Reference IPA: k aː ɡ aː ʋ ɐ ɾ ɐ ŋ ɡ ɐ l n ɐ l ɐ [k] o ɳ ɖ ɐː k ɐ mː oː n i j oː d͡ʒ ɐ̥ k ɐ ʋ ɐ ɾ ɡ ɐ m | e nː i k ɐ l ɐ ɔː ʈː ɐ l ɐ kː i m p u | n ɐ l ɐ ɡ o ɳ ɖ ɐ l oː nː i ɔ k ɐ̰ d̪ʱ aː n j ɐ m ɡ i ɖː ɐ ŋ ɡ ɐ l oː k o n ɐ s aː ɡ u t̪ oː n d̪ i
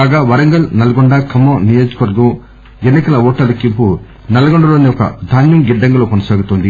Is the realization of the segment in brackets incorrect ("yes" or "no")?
yes